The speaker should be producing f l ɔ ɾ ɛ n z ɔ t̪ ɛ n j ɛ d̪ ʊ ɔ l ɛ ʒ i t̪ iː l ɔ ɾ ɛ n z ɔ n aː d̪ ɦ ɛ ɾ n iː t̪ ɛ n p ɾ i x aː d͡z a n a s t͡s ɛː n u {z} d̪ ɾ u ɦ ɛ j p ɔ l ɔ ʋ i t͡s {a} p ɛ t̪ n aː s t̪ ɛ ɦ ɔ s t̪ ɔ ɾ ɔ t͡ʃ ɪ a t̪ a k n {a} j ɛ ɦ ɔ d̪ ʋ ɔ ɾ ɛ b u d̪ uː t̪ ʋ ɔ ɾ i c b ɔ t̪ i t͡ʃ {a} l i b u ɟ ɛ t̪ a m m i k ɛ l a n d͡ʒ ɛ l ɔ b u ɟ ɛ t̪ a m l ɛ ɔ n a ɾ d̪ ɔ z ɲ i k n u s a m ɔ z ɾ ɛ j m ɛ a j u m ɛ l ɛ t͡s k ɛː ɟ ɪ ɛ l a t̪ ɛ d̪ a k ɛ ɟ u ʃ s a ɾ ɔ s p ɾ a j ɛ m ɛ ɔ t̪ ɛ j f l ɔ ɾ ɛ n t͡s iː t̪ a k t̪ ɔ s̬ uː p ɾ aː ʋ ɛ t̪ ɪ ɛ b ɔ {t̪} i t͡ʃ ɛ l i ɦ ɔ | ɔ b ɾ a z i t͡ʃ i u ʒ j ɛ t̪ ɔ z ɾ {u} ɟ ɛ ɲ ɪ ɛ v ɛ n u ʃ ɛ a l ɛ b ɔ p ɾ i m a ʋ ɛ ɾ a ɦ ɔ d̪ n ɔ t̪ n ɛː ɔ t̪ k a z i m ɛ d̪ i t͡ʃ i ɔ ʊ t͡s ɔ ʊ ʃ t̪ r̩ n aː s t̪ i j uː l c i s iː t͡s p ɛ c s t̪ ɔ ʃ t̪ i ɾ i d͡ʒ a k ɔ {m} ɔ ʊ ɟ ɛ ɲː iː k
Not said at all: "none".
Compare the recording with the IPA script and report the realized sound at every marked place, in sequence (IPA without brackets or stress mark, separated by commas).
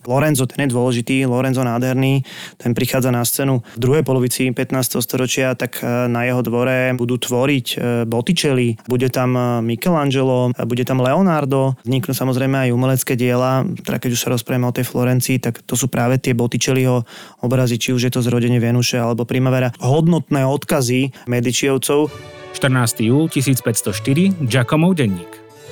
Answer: v, i, a, ɛ, t̪, ɔ, m